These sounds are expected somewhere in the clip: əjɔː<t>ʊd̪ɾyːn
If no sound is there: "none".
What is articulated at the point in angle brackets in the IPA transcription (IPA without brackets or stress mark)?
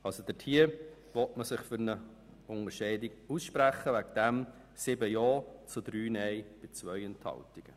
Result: t͡s